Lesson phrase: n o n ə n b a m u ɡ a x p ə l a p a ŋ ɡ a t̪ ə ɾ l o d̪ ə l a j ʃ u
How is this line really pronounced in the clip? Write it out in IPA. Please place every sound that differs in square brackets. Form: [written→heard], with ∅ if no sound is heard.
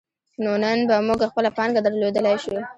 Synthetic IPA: n o n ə n b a m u ɡ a x p ə l a p [a→ɑ] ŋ ɡ a [t̪→d̪] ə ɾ l o d̪ ə l a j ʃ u